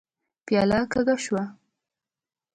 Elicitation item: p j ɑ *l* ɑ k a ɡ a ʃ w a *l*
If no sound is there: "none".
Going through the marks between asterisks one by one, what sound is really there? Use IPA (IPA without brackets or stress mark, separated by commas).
l, none